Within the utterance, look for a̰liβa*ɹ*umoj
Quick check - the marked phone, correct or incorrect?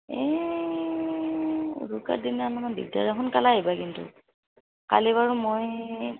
correct